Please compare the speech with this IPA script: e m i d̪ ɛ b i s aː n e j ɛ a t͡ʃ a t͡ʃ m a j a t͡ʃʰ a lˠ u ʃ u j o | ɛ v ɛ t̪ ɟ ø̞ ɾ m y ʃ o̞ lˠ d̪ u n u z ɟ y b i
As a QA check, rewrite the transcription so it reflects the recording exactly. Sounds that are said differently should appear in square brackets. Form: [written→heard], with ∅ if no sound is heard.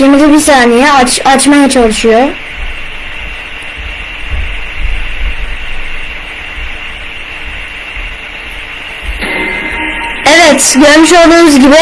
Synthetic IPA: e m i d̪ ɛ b i s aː n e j ɛ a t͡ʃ a t͡ʃ m a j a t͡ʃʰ a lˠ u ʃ u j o | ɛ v ɛ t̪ ɟ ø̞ ɾ m y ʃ o̞ lˠ d̪ [u→uː] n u z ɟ [y→i] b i